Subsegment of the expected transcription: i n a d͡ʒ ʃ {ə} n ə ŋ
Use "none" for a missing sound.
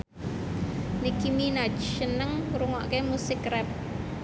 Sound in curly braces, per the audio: ə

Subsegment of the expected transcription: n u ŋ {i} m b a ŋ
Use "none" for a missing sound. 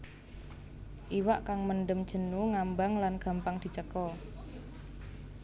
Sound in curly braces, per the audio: a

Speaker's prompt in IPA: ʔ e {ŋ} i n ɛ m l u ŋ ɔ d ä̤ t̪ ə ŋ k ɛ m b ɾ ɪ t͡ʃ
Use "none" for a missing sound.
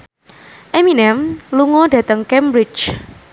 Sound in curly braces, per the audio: m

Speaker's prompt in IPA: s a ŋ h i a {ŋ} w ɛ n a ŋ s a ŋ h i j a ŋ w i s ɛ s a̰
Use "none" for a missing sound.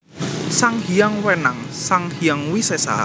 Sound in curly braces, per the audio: ŋ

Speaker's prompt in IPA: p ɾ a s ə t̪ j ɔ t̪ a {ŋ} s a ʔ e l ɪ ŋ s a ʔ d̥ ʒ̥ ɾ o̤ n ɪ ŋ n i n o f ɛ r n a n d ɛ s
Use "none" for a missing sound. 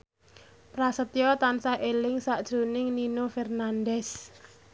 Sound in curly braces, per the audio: n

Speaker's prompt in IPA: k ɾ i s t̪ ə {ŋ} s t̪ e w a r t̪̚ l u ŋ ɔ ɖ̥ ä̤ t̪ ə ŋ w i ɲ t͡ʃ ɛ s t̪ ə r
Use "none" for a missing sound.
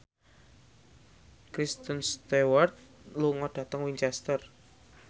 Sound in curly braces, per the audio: n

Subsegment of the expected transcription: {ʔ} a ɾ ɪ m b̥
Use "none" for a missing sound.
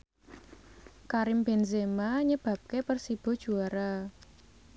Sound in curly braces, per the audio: k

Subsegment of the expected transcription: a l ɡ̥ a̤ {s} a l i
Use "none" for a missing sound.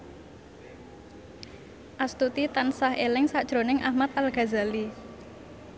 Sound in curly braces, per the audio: z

